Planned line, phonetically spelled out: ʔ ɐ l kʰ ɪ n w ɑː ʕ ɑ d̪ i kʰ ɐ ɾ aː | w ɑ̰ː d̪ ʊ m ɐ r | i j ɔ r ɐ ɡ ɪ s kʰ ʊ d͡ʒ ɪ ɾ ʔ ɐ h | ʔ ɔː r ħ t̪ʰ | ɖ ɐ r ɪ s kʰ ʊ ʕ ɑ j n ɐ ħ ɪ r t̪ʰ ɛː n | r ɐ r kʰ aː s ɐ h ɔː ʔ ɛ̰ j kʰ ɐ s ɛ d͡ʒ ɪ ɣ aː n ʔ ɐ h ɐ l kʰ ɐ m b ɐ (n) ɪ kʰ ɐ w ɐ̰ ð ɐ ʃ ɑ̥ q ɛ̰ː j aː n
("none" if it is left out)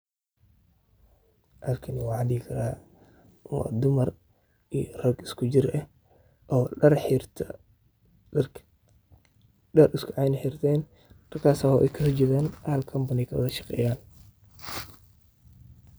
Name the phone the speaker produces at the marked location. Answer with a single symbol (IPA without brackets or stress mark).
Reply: n